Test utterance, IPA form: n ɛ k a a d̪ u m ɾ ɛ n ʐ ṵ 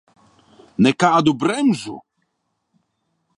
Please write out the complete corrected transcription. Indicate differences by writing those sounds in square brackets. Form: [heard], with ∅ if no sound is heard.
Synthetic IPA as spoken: n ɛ k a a d̪ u [b] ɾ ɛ [m] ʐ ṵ